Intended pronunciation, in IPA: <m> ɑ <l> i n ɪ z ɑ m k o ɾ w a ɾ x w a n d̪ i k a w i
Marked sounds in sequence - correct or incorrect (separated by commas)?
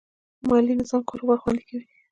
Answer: correct, correct